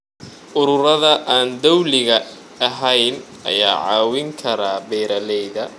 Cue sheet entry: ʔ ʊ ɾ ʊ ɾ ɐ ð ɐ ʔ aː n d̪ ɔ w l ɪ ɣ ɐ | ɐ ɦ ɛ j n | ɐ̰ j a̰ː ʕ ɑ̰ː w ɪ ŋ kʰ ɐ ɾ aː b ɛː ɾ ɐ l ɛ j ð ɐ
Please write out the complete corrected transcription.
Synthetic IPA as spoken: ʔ ʊ ɾ ʊ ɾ ɐ ð ɐ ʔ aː n d̪ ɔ w l ɪ ɣ ɐ | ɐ ɦ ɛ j n | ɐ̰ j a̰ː ʕ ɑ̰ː w ɪ ŋ kʰ ɐ ɾ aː b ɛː ɾ ɐ l ɛ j ð ɐ